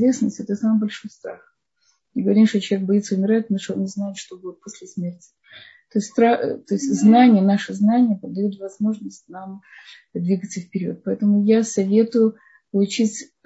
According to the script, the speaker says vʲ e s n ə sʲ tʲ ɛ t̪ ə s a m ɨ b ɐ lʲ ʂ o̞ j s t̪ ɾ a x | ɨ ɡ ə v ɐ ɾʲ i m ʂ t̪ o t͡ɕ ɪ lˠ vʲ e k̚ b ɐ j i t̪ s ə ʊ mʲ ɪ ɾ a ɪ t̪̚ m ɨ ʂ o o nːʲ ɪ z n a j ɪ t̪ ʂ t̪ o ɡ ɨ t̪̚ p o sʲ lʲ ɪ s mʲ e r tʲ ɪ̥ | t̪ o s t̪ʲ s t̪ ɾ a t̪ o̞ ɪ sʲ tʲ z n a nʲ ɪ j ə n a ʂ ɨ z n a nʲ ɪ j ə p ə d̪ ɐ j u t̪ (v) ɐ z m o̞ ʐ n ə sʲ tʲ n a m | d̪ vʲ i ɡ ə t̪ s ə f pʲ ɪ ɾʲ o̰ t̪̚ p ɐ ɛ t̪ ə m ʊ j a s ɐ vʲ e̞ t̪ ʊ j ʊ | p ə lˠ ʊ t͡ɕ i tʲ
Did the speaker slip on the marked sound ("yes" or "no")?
no